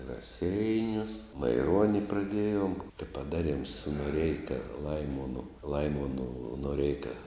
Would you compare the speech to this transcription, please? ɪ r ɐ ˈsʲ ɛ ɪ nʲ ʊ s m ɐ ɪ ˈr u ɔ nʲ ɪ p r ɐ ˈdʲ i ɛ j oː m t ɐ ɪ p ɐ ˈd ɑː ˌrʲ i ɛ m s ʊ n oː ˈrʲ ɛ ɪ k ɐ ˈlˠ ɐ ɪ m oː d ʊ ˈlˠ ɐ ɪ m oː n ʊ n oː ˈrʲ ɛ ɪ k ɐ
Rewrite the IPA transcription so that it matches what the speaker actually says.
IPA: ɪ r ɐ ˈsʲ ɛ ɪ nʲ ʊ s m ɐ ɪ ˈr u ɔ nʲ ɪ p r ɐ ˈdʲ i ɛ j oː m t ɐ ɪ p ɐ ˈd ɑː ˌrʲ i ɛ m s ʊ n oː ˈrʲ ɛ ɪ k ɐ ˈlˠ ɐ ɪ m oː n ʊ ˈlˠ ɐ ɪ m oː n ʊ n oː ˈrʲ ɛ ɪ k ɐ